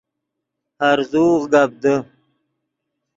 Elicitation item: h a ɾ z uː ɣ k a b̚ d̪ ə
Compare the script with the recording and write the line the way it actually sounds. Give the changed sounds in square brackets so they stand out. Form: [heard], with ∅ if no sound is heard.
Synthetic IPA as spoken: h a ɾ z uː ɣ [ɡ] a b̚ d̪ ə